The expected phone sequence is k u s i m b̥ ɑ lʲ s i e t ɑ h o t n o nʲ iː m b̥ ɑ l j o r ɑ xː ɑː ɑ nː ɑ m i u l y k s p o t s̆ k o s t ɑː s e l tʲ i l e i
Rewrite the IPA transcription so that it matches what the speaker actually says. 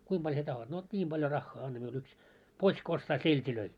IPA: k u i m b̥ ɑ lʲ s i e t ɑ h o t n o nʲ iː m b̥ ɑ l j o r ɑ xː ɑː ɑ nː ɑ m i u l y k s p o t s̆ k o s t ɑː s e l tʲ i l ø i